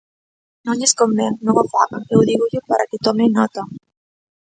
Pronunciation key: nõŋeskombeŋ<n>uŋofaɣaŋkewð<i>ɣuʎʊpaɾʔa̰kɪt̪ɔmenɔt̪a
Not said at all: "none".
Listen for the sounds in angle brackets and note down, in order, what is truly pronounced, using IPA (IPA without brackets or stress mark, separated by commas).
n, i